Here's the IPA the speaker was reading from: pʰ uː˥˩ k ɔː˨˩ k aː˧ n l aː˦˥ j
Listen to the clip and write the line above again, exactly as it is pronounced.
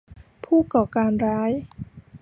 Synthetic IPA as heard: pʰ uː˥˩ k ɔː˨˩ k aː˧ n ɾ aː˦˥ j